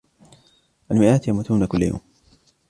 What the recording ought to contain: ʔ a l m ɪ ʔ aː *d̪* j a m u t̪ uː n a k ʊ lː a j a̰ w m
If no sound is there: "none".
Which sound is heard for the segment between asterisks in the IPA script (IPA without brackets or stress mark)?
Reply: t̪